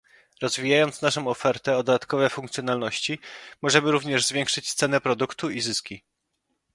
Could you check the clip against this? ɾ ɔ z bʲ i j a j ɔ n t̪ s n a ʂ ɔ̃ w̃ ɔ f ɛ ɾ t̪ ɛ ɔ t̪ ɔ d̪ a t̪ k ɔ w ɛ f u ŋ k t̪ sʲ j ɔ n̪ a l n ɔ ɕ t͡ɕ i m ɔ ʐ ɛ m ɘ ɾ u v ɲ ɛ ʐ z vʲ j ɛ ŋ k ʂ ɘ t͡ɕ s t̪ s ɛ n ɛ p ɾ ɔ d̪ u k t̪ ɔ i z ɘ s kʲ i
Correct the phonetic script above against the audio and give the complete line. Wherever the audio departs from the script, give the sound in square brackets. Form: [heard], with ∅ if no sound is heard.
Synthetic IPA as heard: ɾ ɔ z [vʲ] i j a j ɔ n t̪ s n a ʂ ɔ̃ w̃ ɔ f ɛ ɾ t̪ ɛ ɔ [d̪] ɔ d̪ a t̪ k ɔ [v] ɛ f u ŋ k t̪ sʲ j ɔ n̪ a l n ɔ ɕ t͡ɕ i m ɔ ʐ ɛ m ɘ ɾ u v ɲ ɛ ʐ z vʲ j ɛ ŋ k ʂ ɘ t͡ɕ s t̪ s ɛ n ɛ p ɾ ɔ d̪ u k t̪ [u] i z ɘ s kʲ i